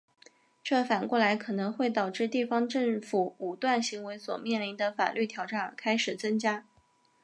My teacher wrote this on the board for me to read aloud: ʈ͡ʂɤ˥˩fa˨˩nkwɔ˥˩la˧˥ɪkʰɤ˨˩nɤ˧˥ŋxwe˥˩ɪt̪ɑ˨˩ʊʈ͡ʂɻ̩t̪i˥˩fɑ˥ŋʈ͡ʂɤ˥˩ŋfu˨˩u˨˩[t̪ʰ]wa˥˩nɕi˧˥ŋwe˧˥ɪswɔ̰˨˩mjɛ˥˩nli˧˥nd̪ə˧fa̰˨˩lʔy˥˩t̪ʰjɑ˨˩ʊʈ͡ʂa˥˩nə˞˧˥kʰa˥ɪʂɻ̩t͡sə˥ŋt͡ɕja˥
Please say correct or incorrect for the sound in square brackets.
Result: incorrect